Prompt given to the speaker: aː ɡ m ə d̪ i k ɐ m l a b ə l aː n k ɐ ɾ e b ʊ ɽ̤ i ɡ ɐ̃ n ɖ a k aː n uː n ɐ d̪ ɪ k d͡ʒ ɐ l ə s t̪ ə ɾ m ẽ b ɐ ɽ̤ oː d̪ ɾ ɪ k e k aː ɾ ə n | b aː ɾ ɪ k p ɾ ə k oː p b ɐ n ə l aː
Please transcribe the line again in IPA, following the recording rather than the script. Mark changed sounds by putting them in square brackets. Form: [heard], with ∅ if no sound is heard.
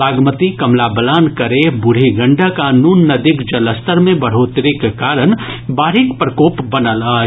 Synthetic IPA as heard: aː ɡ m ə [t̪] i k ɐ m l a b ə l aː n k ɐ ɾ e b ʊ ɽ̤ i ɡ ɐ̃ [ɳ] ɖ a k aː n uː [nː] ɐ d̪ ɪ k d͡ʒ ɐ l ə s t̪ ə ɾ m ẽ b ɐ ɽ̤ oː [t̪] ɾ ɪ k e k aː ɾ ə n | b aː ɾ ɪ k p ɾ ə k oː p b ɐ n ə l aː